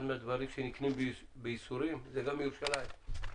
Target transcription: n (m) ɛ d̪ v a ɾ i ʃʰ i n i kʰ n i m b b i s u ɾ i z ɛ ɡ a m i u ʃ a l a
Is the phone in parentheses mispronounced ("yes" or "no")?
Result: no